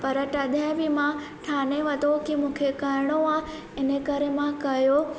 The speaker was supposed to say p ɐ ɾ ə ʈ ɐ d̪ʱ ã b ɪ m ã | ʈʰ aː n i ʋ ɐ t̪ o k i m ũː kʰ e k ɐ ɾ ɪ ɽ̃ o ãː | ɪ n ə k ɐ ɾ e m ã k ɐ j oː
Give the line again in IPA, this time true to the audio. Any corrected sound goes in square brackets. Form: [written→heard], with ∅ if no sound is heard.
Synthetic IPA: p ɐ ɾ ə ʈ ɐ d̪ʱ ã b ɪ m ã | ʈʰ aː n [i→e] ʋ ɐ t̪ o k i m ũː kʰ e k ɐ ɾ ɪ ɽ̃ o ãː | ɪ n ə k ɐ ɾ e m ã k ɐ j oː